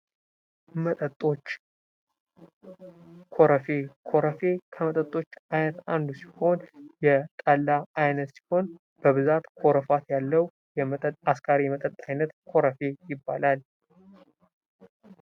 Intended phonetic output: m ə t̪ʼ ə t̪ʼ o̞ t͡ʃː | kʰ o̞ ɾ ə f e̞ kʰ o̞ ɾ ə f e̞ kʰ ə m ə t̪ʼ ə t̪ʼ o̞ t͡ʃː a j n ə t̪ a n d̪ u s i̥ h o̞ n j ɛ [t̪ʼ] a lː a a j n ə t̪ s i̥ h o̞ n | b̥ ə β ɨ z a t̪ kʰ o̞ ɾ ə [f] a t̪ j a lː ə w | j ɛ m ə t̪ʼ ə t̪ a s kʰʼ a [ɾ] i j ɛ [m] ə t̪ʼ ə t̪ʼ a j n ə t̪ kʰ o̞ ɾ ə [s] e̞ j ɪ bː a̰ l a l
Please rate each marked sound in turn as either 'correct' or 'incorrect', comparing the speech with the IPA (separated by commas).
correct, correct, correct, correct, incorrect